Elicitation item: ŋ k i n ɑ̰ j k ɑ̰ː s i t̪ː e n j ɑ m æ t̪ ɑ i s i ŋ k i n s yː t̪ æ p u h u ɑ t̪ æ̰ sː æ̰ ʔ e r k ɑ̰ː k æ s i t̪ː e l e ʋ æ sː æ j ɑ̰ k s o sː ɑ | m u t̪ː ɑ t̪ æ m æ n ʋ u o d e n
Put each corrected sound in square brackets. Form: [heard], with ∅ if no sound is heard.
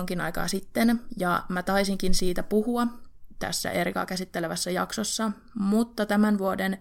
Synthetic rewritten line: ŋ k i n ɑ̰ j k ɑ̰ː s i t̪ː e n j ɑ m æ t̪ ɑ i s i ŋ k i n s [iː] t̪ æ p u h u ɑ t̪ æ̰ sː æ̰ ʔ e r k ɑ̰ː k æ s i t̪ː e l e ʋ æ sː æ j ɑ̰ k s o sː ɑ | m u t̪ː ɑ t̪ æ m æ n ʋ u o d e n